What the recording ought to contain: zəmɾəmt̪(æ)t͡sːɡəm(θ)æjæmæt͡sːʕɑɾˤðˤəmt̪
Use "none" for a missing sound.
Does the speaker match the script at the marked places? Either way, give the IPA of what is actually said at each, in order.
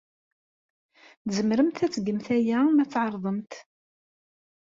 æ, θ

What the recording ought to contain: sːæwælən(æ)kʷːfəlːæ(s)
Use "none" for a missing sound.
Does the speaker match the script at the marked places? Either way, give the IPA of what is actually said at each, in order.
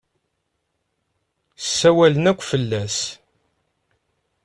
æ, s

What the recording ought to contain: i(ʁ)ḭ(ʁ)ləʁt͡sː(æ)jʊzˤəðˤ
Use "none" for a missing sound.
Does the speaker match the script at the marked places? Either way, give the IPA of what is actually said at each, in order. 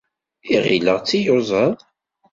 ʁ, none, i

